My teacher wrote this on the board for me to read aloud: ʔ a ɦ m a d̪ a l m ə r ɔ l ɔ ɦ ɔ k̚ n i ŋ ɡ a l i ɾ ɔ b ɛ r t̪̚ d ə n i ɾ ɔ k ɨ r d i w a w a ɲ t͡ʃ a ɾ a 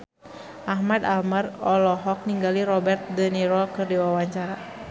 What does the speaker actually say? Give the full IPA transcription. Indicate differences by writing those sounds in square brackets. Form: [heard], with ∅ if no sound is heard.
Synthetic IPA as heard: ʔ a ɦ m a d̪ a l m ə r ɔ l ɔ ɦ ɔ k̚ n i ŋ ɡ a l i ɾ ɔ b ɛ r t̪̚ d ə n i ɾ ɔ k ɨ r d i w a w a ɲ t͡ʃ a ɾ a